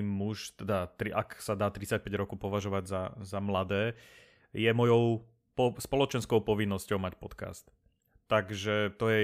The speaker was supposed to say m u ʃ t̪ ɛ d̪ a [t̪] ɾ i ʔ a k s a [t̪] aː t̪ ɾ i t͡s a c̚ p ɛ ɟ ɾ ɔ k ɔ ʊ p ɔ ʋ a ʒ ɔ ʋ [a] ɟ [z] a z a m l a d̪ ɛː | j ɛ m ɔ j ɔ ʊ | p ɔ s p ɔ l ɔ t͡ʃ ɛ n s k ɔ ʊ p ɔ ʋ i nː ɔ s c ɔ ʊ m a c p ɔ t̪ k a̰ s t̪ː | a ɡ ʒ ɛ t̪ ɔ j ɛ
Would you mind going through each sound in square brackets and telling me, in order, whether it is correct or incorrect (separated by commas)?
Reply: correct, incorrect, correct, correct